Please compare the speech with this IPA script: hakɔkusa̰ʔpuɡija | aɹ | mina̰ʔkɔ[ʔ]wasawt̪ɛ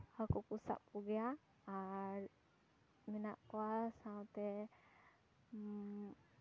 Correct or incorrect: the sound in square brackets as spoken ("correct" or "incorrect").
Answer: incorrect